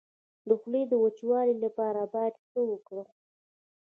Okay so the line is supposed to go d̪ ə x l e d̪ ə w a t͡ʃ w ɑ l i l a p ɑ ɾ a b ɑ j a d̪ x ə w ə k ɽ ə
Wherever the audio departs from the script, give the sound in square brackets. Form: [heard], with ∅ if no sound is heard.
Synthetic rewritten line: d̪ ə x l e d̪ ə w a t͡ʃ w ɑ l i l a p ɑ ɾ a b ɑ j a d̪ x ə w ə k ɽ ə